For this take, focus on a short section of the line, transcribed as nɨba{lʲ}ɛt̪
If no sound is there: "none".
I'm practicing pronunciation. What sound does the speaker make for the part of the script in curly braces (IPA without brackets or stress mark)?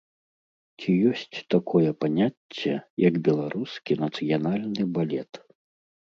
lʲ